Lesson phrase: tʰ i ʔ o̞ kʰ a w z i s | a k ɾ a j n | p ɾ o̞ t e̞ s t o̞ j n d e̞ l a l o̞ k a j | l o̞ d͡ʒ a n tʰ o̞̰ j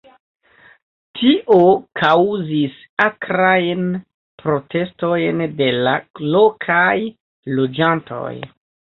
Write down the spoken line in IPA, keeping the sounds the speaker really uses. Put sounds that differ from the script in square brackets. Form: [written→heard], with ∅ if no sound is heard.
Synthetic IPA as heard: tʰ i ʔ o̞ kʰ a w z i s | a k ɾ a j n | p ɾ o̞ t e̞ s t o̞ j n d e̞ l a l o̞ [k→kʰ] a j | l o̞ d͡ʒ a n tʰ o̞̰ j